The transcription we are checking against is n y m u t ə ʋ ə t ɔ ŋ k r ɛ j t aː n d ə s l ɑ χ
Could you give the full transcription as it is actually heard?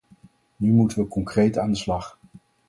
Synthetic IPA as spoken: n y m u t ə ʋ ə k ɔ ŋ k r e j t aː n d ə s l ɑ χ